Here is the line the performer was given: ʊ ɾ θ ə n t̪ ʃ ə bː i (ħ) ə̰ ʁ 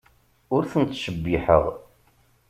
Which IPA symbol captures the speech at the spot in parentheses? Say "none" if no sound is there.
ħ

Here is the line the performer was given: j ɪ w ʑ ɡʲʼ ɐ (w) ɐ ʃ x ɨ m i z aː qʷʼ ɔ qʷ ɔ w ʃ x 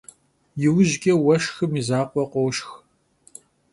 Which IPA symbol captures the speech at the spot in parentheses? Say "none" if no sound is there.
w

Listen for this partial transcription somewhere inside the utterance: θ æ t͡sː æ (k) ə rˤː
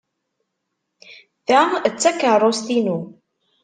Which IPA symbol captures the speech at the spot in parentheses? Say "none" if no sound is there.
k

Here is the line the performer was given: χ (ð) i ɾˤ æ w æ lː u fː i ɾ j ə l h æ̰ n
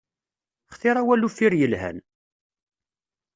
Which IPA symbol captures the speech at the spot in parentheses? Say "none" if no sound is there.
θ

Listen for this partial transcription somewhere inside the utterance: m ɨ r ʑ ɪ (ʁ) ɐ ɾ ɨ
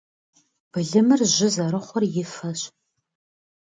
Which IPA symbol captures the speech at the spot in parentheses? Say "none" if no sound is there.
z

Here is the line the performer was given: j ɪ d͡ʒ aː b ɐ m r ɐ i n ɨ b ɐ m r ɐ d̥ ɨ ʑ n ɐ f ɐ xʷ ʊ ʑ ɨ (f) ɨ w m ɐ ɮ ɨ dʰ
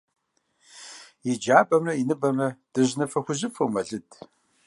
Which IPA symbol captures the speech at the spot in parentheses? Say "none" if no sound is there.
f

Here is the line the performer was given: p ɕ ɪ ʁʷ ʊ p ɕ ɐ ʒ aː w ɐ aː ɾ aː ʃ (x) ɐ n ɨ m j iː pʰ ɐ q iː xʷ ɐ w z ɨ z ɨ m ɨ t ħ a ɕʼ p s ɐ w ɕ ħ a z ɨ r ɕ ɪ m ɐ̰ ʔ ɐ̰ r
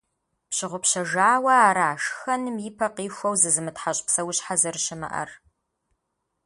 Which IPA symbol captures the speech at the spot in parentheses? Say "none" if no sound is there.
x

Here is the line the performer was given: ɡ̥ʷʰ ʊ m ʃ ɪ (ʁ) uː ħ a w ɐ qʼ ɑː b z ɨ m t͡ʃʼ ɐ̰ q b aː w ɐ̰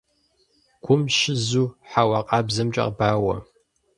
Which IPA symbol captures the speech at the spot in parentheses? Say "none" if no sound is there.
z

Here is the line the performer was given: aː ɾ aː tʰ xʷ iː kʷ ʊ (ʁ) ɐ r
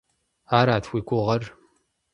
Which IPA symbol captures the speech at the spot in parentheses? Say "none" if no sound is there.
ʁ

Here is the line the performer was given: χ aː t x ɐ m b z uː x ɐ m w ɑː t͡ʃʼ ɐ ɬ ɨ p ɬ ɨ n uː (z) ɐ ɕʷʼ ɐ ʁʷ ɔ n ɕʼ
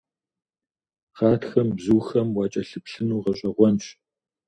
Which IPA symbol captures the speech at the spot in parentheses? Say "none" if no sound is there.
ʁ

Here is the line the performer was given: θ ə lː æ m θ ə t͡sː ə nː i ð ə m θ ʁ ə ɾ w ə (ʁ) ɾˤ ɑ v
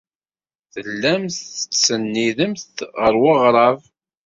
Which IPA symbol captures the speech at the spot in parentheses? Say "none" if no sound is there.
ʁ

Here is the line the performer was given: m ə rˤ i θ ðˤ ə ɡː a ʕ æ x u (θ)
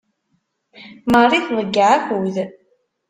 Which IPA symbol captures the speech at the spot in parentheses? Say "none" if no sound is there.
ð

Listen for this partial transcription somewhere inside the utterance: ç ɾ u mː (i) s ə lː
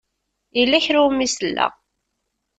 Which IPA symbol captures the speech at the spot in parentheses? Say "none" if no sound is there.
i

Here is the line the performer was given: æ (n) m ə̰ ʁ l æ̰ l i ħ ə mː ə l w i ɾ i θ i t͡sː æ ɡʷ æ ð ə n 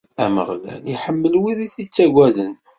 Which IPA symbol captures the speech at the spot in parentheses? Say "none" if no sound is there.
none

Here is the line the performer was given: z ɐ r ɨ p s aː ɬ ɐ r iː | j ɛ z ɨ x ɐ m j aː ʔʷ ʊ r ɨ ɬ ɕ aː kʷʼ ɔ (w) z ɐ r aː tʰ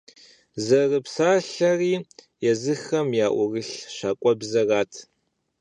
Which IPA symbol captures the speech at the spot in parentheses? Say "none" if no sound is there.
b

